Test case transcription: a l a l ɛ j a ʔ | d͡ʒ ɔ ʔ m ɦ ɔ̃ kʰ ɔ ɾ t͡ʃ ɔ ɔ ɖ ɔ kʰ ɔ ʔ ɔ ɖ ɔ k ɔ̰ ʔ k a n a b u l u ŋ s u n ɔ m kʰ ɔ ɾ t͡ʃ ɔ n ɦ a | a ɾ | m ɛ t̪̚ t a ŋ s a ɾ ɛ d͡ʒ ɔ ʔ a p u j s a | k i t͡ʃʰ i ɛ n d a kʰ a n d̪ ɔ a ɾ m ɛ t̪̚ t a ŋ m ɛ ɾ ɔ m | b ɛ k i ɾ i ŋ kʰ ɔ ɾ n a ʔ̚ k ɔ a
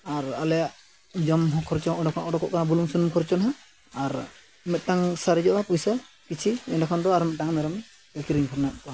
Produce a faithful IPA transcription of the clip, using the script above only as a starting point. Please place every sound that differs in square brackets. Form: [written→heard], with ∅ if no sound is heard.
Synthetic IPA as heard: a [l→ɾ] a l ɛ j a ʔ | d͡ʒ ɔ [ʔ→∅] m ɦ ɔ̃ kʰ ɔ ɾ t͡ʃ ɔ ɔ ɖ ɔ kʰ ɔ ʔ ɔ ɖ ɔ k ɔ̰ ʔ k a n a b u l u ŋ s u n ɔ m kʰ ɔ ɾ t͡ʃ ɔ n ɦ a | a ɾ | m ɛ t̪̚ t a ŋ s a ɾ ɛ d͡ʒ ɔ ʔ a p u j s a | k i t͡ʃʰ i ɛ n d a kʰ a n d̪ ɔ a ɾ m ɛ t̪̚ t a ŋ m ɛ ɾ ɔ m | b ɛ k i ɾ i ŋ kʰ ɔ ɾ n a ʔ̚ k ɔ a